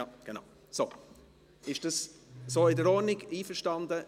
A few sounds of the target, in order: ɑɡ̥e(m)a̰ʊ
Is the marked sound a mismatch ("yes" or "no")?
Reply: yes